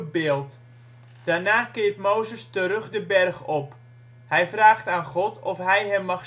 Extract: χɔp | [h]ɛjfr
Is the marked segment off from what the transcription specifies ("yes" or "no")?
no